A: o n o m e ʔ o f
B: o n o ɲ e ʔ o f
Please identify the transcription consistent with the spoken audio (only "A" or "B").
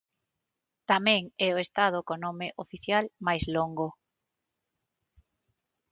A